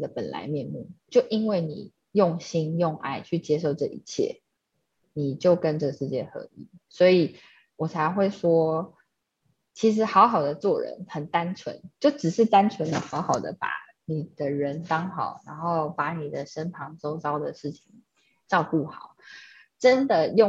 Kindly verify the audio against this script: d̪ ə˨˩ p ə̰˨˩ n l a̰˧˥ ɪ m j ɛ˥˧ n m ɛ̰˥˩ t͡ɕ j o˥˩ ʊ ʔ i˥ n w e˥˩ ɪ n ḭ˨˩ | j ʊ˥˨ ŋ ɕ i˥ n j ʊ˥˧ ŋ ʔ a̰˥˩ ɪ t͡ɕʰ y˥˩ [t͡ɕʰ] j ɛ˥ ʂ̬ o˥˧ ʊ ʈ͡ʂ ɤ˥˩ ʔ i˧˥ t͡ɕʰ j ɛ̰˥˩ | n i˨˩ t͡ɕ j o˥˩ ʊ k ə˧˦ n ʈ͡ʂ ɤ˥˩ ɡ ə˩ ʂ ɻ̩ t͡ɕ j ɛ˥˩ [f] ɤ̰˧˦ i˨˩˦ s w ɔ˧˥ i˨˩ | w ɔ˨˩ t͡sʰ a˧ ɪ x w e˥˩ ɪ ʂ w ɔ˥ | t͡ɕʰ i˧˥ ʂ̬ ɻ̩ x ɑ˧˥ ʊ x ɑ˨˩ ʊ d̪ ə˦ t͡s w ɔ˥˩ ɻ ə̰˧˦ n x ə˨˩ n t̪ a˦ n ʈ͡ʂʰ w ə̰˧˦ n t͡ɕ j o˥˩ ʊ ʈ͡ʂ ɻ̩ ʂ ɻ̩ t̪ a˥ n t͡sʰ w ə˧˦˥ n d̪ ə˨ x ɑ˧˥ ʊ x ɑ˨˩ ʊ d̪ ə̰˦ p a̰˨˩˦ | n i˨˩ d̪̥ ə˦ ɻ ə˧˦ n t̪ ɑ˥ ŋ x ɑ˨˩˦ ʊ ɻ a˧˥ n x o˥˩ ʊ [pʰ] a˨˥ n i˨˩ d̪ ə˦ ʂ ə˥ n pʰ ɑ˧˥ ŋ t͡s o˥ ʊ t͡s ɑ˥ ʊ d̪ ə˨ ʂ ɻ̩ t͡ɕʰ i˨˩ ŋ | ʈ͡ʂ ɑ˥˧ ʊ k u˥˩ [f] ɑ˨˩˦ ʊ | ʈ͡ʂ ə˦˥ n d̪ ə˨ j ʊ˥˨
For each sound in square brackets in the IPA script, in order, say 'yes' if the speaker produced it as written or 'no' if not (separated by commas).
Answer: no, no, no, no